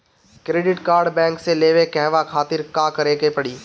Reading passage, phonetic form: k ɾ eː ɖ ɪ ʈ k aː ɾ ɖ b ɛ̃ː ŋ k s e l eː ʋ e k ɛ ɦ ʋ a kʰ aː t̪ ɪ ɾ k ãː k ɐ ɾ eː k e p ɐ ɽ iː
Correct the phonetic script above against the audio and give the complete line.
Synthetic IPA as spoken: k ɾ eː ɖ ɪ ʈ k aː ɾ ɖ b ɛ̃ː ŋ k s e l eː ʋ e k ɛ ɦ ʋ a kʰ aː t̪ ɪ ɾ k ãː k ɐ ɾ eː k e p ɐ ɽ iː